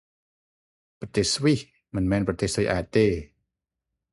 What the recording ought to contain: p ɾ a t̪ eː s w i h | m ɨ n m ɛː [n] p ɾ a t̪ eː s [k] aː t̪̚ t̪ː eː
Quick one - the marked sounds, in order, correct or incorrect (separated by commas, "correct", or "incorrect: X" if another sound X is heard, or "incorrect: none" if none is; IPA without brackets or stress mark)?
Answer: correct, incorrect: ʔ